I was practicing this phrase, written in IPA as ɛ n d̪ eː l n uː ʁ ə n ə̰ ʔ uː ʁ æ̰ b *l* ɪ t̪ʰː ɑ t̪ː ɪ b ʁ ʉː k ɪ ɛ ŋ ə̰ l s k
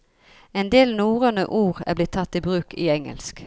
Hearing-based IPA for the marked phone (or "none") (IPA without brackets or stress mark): l